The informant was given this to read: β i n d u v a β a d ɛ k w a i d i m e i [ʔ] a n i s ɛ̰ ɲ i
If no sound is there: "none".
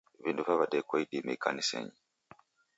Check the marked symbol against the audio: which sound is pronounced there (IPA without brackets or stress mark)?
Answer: k